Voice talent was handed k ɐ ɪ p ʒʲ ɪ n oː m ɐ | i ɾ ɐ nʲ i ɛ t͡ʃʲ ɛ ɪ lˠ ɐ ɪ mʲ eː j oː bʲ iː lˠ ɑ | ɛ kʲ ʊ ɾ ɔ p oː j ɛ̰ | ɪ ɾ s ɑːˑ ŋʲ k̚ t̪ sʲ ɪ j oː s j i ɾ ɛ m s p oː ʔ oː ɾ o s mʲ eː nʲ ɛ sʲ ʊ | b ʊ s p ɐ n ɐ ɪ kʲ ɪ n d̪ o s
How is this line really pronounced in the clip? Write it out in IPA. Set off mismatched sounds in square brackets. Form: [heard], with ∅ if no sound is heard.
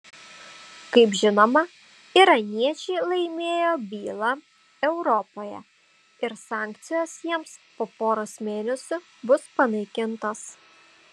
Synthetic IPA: k ɐ ɪ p ʒʲ ɪ n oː m ɐ | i ɾ ɐ nʲ i ɛ t͡ʃʲ ɛ ɪ lˠ ɐ ɪ mʲ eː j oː bʲ iː lˠ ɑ | ɛ [∅] ʊ ɾ ɔ p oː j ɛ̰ | ɪ ɾ s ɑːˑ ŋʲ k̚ t̪ sʲ ɪ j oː s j i [∅] ɛ m s p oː [p] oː ɾ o s mʲ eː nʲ ɛ sʲ ʊ | b ʊ s p ɐ n ɐ ɪ kʲ ɪ n [t̪] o s